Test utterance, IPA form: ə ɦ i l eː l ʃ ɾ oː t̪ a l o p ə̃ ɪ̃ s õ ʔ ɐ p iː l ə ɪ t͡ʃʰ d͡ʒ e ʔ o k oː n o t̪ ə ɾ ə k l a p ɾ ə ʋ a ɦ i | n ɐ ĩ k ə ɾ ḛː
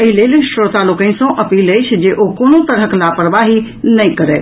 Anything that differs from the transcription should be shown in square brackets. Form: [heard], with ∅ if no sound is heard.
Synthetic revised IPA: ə ɦ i l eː l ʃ ɾ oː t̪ a l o [k] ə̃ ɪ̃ s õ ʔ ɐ p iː l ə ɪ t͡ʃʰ d͡ʒ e ʔ o k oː n o t̪ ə ɾ ə k l a p ɾ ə ʋ a ɦ i | n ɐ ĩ k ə ɾ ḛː

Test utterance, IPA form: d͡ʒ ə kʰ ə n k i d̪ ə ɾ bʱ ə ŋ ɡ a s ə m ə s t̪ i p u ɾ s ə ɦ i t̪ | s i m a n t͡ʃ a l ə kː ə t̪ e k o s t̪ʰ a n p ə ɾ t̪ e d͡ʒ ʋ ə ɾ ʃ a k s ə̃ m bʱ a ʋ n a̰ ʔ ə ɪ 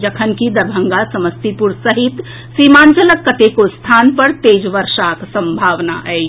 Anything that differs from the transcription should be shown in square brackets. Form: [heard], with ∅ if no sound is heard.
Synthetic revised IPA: d͡ʒ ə kʰ ə n k i d̪ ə ɾ bʱ ə ŋ ɡ a s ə m ə s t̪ i p u ɾ s ə ɦ i t̪ | s i m a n t͡ʃ [ə] l ə kː ə t̪ e k o s t̪ʰ a n p ə ɾ t̪ e d͡ʒ ʋ ə ɾ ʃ a k s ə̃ m bʱ a ʋ n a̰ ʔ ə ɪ

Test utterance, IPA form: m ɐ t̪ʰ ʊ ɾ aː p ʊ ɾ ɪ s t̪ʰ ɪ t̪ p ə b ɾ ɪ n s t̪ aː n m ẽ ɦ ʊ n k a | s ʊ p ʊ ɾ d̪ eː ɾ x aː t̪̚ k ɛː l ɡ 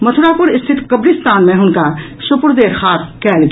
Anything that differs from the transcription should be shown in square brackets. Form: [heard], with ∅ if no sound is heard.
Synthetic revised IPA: m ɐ t̪ʰ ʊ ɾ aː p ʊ ɾ ɪ s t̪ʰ ɪ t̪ [k] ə b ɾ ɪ [∅] s t̪ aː n m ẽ ɦ ʊ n k a | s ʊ p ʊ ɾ d̪ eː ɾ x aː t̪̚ k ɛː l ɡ

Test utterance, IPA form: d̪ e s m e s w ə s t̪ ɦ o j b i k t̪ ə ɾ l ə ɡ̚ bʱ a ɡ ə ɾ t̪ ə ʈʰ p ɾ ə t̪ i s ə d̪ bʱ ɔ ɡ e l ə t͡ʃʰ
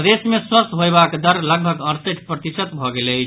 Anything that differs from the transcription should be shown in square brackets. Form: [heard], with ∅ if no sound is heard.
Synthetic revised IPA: d̪ e s m e s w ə s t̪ ɦ o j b [a] k [d̪] ə ɾ l ə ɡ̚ bʱ [ə] ɡ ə ɾ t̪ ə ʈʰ p ɾ ə t̪ i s ə [t̪] bʱ ɔ ɡ e l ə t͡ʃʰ

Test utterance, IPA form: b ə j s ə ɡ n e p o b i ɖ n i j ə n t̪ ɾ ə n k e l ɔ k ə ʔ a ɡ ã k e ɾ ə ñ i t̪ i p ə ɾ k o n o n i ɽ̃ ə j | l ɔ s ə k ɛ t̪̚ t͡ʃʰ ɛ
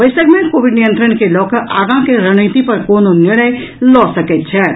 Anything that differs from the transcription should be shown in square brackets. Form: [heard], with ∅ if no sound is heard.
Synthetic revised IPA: b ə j s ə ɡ [m] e [k] o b i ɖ n i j ə n t̪ ɾ ə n k e l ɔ k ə ʔ a ɡ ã k e ɾ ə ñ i t̪ i p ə ɾ k o n o n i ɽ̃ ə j | l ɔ s ə k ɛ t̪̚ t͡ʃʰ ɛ

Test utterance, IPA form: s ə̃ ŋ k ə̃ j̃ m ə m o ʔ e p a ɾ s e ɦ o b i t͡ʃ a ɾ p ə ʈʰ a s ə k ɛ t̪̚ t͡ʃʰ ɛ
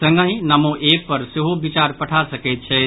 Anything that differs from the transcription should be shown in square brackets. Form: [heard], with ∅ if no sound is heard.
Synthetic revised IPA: s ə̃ ŋ [ɡ] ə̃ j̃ [n] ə m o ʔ e p [ə] ɾ s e ɦ o b i t͡ʃ a ɾ p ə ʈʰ a s ə k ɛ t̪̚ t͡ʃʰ ɛ

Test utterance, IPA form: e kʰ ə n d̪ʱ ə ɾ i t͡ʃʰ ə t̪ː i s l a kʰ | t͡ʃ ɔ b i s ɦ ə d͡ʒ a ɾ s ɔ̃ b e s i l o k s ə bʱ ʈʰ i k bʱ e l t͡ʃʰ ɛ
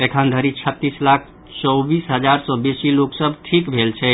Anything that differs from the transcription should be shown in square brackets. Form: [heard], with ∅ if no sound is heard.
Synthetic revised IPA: e kʰ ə n d̪ʱ ə ɾ i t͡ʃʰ ə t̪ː i s l a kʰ | t͡ʃ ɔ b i s ɦ ə d͡ʒ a ɾ s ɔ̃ b e s i l o k s ə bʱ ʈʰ i k bʱ e l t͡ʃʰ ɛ

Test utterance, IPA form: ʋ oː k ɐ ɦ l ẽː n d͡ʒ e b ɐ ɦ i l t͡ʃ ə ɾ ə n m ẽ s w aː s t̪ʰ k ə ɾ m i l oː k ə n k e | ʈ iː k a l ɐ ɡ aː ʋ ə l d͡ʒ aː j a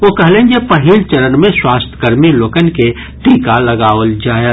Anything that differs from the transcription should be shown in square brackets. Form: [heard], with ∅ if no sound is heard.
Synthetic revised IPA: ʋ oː k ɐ ɦ l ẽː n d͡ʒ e [p] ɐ ɦ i l t͡ʃ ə ɾ ə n m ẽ s w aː s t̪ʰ k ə ɾ m i l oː k ə n k e | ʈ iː k a l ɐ ɡ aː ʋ ə l d͡ʒ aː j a

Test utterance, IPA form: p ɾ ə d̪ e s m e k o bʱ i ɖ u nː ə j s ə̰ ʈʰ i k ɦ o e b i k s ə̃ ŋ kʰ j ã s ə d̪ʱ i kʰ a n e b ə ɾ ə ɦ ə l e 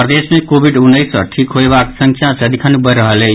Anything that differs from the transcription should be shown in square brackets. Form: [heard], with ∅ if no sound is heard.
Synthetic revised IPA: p ɾ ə d̪ e s m e k o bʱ i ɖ u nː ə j s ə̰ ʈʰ i k ɦ o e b [a] k s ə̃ ŋ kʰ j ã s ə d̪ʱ i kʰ a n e b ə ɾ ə ɦ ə l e

